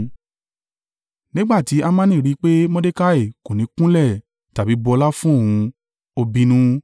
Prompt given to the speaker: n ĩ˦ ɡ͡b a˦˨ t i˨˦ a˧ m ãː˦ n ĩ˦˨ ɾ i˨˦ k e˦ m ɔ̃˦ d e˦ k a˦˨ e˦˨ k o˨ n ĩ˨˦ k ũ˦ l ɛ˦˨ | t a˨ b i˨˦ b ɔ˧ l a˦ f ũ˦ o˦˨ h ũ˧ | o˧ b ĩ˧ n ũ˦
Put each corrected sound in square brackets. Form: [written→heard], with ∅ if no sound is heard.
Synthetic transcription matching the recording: n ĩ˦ ɡ͡b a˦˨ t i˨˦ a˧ m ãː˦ n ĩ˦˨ ɾ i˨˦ [k→k͡p] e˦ m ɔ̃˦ d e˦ k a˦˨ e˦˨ k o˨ n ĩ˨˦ k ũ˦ l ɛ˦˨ | t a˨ b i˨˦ b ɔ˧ l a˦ f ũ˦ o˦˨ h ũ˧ | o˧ b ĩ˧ n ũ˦

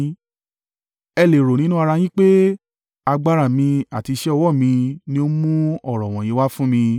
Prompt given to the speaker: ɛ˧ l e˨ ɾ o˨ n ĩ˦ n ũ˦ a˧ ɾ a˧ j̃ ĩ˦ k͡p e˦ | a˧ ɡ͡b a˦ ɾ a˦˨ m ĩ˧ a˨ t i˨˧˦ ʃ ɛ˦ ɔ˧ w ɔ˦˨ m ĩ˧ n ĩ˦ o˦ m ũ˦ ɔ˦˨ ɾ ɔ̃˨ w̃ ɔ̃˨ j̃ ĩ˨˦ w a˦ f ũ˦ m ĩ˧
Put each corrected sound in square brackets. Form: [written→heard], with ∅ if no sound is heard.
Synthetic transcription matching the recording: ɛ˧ l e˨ ɾ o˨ n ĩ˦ n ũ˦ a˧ ɾ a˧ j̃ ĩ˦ k͡p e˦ | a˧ ɡ͡b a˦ ɾ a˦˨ m ĩ˧ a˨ t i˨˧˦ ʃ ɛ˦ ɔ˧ w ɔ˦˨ m ĩ˧ n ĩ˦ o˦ m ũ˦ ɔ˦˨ ɾ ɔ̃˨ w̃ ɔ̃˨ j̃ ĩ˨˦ w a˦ f ũ˦ m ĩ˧

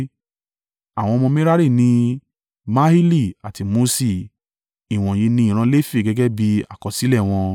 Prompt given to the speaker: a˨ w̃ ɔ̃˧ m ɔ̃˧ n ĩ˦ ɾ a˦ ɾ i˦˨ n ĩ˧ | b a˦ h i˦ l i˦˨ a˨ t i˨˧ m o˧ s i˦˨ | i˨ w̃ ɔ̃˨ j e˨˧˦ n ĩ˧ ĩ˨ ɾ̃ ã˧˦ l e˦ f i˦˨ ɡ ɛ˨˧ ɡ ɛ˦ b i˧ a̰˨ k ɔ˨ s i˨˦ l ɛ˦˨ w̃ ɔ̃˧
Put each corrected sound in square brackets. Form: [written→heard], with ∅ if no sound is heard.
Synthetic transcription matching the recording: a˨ w̃ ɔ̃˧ m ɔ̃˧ [n→m] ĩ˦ ɾ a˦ ɾ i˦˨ n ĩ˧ | [b→m] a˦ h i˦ l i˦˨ a˨ t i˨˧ m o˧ s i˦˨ | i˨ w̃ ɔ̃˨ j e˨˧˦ n ĩ˧ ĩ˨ ɾ̃ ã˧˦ l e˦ f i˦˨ ɡ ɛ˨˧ ɡ ɛ˦ b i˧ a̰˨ k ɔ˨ s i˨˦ l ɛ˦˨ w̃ ɔ̃˧

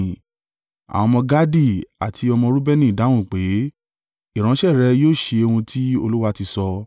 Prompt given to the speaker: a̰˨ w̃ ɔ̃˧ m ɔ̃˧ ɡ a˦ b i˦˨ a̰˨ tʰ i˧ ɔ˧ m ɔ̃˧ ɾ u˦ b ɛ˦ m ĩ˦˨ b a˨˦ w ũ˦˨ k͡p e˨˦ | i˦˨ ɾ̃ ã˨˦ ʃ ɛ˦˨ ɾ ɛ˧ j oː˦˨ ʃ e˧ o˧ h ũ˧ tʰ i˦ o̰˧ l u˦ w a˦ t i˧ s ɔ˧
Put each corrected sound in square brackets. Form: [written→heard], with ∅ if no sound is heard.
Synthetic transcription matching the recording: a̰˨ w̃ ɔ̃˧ m ɔ̃˧ ɡ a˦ [b→d] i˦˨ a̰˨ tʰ i˧ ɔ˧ m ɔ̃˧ ɾ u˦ b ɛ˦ [m→n] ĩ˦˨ [b→d] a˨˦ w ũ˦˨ k͡p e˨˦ | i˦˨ ɾ̃ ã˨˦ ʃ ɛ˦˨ ɾ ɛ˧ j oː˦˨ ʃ e˧ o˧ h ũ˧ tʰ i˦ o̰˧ l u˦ w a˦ t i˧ s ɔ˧

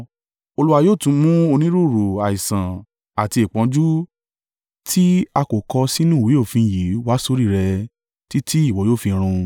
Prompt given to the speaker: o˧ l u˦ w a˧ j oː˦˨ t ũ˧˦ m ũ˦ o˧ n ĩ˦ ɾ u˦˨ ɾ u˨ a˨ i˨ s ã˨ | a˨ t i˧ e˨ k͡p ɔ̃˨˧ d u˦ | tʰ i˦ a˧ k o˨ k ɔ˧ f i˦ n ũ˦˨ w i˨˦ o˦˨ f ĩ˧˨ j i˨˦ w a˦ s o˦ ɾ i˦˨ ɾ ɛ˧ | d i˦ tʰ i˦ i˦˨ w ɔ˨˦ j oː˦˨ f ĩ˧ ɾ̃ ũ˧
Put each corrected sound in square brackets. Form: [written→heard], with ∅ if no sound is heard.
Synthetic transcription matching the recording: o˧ l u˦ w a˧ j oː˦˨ t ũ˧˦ m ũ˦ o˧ n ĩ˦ ɾ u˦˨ ɾ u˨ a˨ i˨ s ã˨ | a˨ t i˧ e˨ k͡p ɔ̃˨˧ [d→d͡ʒ] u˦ | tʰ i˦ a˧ k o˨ k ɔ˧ [f→s] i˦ n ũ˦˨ w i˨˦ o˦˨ f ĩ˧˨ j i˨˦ w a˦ s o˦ ɾ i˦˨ ɾ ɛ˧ | [d→t] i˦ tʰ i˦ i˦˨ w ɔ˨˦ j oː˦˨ f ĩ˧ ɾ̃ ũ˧

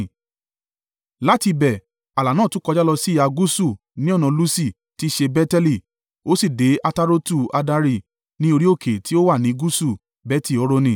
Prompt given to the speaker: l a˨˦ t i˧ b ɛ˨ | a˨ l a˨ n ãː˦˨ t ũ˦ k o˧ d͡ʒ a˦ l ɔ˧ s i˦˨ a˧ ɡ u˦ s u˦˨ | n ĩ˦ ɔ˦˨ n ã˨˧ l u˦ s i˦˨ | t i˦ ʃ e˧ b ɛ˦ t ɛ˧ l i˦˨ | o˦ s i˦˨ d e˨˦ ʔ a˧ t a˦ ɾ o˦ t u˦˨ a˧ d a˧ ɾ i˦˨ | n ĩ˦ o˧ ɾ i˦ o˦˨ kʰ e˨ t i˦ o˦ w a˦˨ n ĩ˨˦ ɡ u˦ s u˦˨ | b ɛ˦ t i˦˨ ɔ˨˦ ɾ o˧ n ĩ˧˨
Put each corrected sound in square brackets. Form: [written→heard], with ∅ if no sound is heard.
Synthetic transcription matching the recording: l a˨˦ t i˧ b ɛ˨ | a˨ l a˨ n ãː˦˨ t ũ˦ k [o˧→ɔ˧] d͡ʒ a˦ l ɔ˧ s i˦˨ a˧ ɡ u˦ s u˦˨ | n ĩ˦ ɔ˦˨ n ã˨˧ l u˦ s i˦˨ | t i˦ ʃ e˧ b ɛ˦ t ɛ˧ l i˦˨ | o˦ s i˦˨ d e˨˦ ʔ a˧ t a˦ ɾ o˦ t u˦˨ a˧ d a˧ ɾ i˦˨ | n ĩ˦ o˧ ɾ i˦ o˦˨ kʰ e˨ t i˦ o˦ w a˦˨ n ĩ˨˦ ɡ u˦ s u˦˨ | b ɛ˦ t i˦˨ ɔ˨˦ ɾ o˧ n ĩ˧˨

